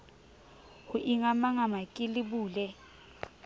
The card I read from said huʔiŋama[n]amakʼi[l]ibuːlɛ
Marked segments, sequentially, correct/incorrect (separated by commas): incorrect, correct